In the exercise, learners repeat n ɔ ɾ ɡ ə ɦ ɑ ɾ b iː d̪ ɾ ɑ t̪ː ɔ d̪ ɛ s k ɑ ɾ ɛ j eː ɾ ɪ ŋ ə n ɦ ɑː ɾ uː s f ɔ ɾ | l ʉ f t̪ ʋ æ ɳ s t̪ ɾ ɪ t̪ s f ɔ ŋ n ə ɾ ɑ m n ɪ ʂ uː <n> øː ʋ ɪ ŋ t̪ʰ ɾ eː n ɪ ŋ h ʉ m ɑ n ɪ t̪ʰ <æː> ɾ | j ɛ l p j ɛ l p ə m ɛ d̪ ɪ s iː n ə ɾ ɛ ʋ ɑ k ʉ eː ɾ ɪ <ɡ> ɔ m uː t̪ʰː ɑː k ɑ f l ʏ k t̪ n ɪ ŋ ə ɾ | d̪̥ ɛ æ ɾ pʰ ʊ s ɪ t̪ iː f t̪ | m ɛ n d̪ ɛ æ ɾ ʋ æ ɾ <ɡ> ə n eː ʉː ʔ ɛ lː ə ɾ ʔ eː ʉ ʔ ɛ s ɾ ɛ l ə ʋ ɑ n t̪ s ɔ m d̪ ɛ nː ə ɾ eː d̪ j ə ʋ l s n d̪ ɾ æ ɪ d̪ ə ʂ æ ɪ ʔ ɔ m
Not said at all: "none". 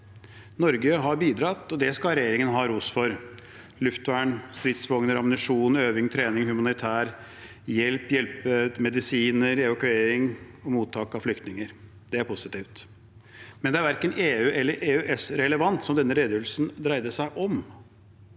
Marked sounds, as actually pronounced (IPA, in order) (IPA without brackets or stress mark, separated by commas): n, æː, ŋ, k